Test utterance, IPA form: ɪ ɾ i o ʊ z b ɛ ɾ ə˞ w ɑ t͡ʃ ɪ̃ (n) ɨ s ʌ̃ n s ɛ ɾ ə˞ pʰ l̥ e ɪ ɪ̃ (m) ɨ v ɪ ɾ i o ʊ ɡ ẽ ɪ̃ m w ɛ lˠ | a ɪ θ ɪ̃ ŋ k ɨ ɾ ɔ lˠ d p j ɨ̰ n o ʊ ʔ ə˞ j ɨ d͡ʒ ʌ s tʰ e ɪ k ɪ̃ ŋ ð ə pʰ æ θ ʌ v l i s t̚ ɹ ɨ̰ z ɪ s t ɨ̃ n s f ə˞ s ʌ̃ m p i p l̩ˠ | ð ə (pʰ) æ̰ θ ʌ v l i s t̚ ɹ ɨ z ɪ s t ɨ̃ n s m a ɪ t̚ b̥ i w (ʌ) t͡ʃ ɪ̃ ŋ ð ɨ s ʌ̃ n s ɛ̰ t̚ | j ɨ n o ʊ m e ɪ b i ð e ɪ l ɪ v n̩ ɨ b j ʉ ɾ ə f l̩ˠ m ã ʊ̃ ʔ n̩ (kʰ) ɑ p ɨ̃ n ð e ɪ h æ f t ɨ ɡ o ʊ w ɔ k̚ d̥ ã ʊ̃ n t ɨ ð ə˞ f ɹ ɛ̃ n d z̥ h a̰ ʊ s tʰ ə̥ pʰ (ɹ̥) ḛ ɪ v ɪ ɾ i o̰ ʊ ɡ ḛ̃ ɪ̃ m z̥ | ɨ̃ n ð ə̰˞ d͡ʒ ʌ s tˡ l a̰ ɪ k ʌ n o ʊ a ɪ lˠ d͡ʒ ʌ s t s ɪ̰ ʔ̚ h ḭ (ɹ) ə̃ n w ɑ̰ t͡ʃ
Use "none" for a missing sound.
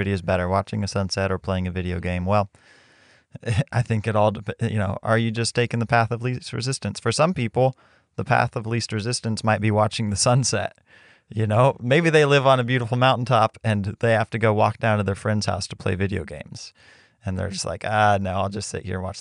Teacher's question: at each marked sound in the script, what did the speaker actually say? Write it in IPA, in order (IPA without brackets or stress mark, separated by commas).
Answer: ŋ, ŋ, pʰ, ɑ, tʰ, l̥, ɹ